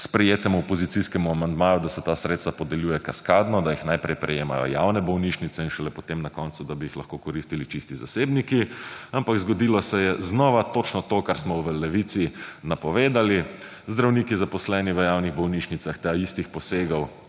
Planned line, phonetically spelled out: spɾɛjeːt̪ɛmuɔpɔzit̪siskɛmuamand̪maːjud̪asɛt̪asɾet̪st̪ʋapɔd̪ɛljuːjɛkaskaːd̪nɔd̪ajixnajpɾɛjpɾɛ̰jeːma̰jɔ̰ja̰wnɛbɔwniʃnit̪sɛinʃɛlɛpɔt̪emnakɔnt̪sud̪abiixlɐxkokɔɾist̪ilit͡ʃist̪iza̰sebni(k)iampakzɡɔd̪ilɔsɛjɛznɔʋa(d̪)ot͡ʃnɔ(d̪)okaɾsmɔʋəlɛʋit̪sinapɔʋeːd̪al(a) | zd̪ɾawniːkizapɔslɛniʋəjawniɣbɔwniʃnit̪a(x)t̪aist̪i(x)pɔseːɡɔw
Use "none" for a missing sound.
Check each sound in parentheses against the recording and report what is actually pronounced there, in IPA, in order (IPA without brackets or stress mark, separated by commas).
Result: k, t̪, t̪, i, x, x